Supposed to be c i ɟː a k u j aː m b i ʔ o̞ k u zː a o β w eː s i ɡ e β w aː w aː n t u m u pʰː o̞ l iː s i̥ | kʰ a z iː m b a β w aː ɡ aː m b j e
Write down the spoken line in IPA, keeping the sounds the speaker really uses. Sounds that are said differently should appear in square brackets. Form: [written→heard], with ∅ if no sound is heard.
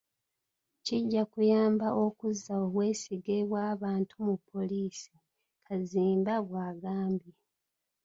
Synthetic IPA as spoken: c i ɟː a k u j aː m b [i→a] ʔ o̞ k u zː a o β w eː s i ɡ e β w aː [w→β] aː n t u m u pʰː o̞ l iː s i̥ | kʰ a z iː m b a β w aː ɡ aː m b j e